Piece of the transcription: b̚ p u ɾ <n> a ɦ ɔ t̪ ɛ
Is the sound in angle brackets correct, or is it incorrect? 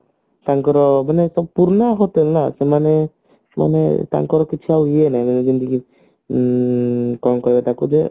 correct